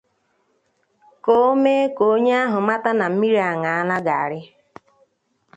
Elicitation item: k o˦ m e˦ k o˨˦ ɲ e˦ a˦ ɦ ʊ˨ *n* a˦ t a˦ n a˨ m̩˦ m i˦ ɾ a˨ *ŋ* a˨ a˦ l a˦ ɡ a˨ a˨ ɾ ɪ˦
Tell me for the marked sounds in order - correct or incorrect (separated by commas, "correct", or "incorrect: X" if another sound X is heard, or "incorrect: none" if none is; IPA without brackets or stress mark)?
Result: incorrect: m, correct